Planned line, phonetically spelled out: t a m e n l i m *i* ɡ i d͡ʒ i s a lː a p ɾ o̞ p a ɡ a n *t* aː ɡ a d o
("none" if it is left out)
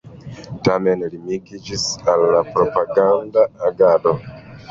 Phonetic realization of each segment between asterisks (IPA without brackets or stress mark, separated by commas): i, d